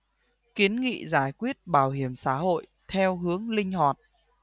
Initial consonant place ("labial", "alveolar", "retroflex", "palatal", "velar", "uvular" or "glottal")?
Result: velar